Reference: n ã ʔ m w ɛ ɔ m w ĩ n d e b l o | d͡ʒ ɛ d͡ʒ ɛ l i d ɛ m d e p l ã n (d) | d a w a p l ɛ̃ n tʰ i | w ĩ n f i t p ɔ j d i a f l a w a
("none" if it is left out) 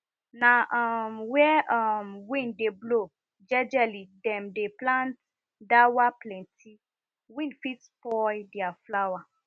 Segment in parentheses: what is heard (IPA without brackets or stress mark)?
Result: t